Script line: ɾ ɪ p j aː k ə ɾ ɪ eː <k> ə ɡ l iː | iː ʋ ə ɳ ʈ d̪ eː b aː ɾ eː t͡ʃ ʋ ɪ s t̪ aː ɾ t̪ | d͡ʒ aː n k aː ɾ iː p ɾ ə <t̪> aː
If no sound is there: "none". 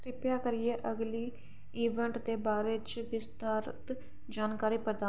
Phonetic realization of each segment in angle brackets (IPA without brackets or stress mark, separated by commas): ʔ, d̪